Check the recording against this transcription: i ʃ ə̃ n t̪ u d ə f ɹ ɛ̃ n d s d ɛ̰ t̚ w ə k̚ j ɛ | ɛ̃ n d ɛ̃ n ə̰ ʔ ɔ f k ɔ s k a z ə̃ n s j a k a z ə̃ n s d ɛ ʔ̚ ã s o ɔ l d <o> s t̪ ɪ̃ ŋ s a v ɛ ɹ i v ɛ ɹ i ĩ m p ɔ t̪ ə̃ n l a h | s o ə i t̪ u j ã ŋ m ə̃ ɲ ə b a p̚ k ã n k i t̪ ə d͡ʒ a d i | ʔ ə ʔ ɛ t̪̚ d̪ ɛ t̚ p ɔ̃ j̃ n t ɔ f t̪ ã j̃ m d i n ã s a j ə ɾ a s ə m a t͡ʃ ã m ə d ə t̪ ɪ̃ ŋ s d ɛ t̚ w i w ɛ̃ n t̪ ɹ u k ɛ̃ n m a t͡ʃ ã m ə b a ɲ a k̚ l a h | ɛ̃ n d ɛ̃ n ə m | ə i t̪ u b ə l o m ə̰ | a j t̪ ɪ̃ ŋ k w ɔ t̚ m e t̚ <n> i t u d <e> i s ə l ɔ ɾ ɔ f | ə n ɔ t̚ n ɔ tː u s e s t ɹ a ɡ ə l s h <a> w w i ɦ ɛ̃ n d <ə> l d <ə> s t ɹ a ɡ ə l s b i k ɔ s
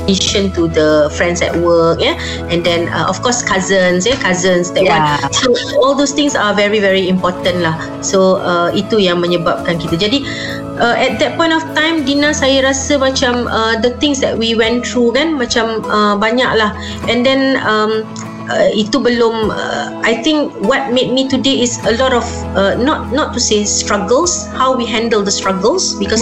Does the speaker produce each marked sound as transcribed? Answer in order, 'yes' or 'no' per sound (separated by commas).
yes, no, yes, yes, yes, yes